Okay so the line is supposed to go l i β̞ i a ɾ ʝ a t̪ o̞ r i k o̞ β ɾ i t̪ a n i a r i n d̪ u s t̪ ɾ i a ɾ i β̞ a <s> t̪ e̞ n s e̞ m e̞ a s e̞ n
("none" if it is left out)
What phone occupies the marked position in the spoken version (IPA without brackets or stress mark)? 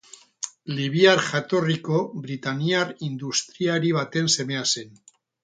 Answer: none